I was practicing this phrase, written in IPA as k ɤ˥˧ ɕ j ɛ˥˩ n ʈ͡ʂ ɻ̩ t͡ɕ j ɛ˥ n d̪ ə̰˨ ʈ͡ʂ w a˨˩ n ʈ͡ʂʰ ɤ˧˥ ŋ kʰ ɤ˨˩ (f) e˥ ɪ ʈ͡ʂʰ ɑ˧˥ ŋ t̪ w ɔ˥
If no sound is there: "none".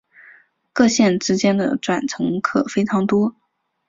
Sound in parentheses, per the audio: f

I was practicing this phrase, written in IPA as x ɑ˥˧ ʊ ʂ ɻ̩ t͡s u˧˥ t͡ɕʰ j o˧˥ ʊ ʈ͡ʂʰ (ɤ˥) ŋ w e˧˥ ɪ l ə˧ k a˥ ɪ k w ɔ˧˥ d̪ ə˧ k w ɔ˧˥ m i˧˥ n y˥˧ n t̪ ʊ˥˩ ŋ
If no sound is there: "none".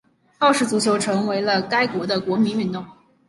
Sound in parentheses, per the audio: ɤ˧˥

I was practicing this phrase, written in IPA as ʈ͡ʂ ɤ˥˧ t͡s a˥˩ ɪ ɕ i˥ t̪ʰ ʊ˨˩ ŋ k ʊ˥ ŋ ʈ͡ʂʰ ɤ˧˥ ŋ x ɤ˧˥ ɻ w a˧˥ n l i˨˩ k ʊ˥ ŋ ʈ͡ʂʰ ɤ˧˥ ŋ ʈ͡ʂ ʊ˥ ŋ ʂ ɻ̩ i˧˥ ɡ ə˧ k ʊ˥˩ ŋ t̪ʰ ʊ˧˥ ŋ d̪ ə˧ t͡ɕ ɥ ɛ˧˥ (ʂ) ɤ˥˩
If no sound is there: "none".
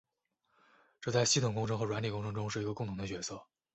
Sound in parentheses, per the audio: s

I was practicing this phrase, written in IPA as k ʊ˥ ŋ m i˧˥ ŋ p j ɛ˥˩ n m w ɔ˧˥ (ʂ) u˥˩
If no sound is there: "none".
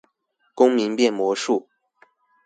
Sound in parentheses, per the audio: ʂ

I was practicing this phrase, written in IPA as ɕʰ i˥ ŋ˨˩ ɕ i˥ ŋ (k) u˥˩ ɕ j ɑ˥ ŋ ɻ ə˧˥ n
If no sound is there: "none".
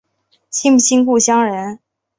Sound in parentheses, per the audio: k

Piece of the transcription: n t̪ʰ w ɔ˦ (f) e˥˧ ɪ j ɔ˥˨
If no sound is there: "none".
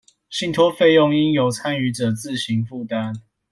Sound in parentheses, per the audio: f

